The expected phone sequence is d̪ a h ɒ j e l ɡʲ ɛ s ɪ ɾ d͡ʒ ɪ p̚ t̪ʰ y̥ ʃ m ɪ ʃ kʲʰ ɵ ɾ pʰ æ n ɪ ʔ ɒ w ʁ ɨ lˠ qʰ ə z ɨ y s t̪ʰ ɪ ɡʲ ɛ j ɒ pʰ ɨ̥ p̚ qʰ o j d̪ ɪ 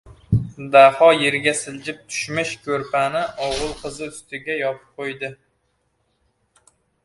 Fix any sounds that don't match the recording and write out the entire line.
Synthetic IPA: d̪ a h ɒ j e ɾ ɡʲ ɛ s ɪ l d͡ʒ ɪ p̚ t̪ʰ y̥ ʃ m ɪ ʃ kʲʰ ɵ ɾ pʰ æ n ɪ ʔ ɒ w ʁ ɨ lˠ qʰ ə z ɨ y s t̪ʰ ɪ ɡʲ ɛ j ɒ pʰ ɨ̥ p̚ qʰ o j d̪ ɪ